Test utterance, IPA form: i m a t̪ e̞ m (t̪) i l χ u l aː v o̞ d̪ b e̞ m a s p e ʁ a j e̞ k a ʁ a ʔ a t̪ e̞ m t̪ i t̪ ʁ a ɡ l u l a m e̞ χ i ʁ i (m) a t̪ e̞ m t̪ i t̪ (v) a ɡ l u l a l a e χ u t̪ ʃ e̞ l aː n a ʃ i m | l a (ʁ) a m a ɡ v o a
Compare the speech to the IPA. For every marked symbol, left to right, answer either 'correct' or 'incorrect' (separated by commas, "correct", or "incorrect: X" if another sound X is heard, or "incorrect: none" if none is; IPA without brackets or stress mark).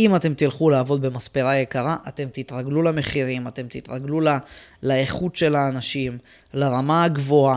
correct, correct, incorrect: ʁ, correct